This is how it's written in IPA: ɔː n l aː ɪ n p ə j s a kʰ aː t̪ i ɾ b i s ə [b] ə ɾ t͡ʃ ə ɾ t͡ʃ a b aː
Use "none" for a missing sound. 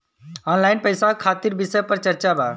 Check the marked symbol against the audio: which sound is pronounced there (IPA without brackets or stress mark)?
p